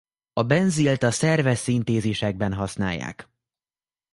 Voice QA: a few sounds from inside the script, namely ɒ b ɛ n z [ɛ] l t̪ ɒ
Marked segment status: incorrect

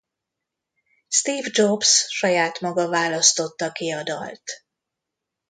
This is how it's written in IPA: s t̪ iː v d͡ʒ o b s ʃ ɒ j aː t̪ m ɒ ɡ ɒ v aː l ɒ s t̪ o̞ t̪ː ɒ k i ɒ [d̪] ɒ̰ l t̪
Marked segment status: correct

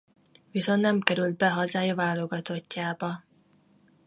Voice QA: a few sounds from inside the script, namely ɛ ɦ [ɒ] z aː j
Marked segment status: correct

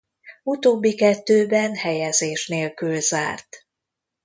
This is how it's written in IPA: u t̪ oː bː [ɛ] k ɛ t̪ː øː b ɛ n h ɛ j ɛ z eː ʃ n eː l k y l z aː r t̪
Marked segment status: incorrect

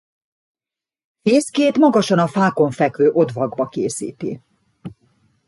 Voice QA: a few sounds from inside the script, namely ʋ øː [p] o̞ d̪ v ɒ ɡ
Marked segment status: incorrect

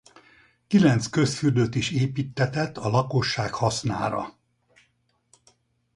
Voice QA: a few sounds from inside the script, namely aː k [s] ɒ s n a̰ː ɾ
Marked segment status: incorrect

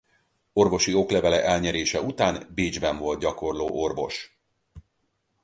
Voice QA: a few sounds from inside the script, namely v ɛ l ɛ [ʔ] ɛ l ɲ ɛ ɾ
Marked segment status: correct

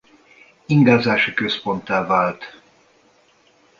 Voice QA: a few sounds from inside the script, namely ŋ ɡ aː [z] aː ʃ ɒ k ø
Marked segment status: correct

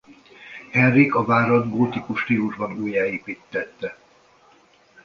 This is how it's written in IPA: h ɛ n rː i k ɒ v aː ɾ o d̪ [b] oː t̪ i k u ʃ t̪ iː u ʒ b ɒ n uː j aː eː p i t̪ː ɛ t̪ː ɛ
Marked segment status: incorrect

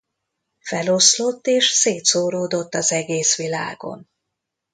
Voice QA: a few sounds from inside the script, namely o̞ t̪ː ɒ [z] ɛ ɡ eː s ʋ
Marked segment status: correct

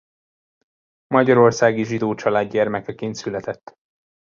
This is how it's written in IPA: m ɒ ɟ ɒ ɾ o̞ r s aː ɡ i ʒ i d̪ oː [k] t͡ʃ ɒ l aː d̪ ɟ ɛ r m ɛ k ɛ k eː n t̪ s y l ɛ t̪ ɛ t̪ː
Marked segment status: incorrect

